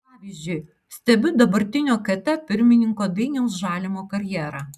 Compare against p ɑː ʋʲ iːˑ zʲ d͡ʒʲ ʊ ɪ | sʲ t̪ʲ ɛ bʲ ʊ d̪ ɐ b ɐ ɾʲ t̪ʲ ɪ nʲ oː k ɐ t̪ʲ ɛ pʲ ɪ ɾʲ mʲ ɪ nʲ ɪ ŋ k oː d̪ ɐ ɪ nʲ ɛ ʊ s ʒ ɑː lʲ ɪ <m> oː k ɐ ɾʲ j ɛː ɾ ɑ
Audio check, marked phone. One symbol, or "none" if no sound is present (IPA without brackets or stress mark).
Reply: m